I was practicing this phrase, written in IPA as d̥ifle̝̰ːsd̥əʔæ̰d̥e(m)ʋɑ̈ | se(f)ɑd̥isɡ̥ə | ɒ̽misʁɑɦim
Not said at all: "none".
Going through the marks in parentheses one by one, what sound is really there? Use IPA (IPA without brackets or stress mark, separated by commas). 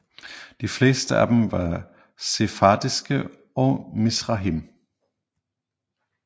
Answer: m, f